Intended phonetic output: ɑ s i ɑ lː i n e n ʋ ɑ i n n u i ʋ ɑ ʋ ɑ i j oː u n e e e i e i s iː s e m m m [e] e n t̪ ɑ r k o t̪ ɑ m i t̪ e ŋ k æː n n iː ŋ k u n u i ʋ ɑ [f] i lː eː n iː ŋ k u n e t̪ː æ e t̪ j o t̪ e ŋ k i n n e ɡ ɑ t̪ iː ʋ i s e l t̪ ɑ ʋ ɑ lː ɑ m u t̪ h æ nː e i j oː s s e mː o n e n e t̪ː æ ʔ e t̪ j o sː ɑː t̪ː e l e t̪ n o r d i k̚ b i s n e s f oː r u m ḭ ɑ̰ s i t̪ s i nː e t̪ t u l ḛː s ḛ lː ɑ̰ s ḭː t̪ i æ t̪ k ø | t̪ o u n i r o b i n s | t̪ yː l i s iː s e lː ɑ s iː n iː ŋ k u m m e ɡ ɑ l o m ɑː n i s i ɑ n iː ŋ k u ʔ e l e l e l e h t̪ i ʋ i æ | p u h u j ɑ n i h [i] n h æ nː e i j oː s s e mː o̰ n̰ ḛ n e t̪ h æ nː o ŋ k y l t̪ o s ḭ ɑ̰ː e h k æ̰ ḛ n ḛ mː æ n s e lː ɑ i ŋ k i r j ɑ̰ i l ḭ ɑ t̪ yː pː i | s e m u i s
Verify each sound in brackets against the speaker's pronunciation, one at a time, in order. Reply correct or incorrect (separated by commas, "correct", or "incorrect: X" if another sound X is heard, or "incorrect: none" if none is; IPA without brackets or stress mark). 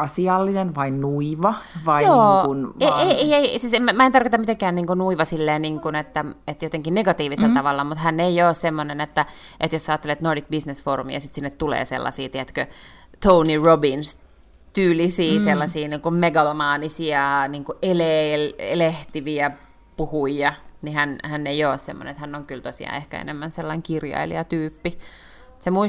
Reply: incorrect: æ, incorrect: s, incorrect: æ